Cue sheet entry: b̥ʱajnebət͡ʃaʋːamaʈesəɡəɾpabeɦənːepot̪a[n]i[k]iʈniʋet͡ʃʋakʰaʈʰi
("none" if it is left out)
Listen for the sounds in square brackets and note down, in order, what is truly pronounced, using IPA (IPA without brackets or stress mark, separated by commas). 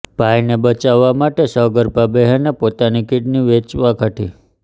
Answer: n, k